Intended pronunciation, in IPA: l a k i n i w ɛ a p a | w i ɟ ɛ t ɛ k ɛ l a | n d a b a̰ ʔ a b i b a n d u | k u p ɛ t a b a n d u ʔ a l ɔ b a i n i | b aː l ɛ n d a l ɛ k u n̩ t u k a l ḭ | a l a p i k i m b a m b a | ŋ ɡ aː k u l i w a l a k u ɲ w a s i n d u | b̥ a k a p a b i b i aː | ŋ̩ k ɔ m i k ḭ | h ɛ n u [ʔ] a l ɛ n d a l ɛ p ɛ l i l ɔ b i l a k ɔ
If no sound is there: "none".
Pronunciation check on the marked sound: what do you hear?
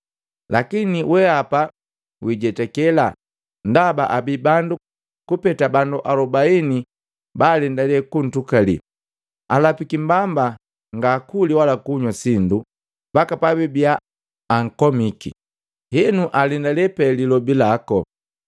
ʔ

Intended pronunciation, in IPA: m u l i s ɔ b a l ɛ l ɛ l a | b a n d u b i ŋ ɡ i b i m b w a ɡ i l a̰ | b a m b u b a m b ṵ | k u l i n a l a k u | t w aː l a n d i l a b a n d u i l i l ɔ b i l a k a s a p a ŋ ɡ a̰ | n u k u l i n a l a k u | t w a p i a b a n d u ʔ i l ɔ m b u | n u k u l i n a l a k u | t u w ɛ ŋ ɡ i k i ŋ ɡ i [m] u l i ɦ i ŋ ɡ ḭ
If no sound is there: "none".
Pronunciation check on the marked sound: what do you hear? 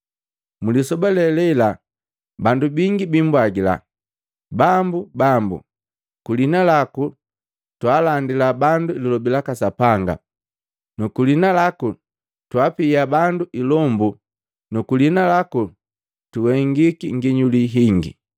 ɲ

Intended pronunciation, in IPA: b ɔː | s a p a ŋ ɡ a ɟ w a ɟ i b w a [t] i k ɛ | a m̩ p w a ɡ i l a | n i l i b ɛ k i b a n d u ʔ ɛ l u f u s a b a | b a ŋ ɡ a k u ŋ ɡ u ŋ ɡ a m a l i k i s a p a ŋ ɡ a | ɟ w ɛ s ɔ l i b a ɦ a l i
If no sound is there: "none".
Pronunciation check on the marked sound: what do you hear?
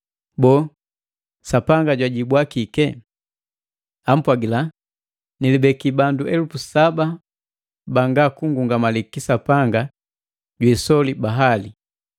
k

